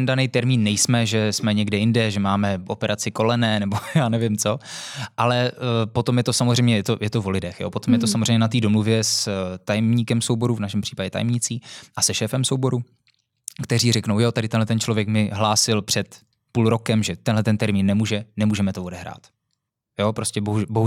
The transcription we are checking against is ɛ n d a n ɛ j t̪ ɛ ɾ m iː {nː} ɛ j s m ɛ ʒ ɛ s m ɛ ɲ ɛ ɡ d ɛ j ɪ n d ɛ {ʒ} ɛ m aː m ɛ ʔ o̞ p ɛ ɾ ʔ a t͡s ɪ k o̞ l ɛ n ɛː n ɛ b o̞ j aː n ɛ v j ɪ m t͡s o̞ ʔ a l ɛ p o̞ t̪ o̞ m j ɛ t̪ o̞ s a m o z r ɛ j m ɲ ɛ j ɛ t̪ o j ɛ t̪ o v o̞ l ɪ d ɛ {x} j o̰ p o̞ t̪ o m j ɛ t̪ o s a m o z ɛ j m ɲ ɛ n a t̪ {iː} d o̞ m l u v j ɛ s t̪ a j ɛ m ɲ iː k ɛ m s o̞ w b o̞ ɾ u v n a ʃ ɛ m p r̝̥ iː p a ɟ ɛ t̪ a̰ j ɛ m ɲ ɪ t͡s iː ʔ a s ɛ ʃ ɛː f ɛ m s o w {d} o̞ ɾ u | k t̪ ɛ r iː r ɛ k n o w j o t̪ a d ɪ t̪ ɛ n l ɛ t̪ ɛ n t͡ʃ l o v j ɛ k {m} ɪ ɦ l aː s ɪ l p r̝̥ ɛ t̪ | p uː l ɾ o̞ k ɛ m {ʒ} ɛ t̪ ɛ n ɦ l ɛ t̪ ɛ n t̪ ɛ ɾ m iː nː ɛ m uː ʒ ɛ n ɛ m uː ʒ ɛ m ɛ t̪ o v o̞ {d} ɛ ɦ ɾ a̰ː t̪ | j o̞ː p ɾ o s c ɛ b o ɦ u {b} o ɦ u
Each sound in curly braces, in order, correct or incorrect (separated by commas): correct, correct, correct, correct, incorrect, correct, correct, correct, correct